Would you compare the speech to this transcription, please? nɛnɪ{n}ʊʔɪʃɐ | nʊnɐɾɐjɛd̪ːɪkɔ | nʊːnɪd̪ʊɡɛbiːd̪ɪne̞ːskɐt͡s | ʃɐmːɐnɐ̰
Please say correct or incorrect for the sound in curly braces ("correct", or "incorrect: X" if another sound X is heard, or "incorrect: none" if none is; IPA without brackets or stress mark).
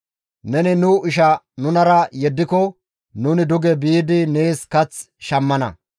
correct